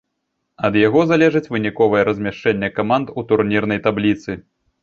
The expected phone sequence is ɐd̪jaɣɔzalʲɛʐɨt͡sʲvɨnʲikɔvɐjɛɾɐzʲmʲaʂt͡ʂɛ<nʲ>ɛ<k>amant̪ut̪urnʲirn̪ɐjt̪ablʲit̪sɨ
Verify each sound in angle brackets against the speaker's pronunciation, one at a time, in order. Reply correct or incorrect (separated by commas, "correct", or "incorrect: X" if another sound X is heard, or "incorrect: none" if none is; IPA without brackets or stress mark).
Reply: incorrect: nʲː, correct